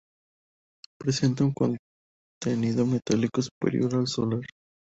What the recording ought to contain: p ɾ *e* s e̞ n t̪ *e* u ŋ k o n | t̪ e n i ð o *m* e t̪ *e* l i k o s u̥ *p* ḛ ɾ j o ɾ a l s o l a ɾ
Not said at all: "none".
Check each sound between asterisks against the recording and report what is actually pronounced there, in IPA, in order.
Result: e, a, m, a, p

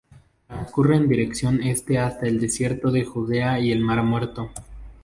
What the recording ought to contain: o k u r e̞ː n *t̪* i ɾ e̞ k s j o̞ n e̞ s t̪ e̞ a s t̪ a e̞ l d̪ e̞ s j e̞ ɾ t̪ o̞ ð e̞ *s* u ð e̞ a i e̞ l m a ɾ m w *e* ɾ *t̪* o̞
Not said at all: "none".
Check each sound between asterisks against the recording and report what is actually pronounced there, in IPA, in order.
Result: d̪, x, e, t̪

